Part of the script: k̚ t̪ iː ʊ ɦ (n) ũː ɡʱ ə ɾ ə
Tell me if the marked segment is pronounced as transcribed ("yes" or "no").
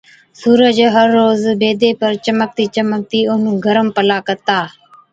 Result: yes